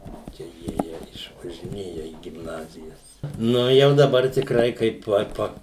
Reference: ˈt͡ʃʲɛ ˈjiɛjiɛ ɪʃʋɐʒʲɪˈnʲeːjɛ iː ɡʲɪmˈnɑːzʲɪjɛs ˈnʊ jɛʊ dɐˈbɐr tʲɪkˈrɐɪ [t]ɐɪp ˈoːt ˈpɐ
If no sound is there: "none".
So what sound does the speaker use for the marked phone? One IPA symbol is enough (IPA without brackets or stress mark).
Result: k